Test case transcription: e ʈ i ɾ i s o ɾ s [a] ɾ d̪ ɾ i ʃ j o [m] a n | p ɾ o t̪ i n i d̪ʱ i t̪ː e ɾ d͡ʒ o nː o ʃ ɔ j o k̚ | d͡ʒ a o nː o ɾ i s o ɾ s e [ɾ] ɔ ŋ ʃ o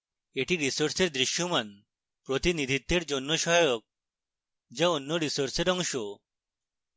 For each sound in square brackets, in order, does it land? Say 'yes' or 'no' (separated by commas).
no, yes, yes